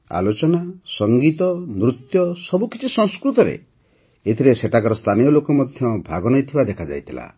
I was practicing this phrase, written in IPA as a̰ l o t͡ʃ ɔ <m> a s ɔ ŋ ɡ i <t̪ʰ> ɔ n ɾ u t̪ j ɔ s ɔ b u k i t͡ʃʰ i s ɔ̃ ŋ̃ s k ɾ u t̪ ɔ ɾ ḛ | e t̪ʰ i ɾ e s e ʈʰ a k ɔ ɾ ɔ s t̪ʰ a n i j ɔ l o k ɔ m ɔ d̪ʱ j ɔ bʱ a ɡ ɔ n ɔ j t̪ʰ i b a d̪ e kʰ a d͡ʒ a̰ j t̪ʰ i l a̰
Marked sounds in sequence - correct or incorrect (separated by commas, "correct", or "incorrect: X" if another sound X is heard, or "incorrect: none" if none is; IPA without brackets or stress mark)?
incorrect: n, incorrect: t̪